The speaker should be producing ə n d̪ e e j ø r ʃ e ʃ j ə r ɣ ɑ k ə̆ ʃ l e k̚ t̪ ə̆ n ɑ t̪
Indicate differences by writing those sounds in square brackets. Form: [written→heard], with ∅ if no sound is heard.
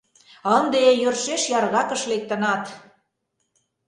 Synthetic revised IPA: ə n d̪ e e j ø r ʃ e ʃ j [ə→ɑ] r ɣ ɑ k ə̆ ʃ l e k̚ t̪ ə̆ n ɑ t̪